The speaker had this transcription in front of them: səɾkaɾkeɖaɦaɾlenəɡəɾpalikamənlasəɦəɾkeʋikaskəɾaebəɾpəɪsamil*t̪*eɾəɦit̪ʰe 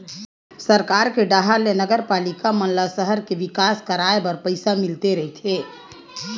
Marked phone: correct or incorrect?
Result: correct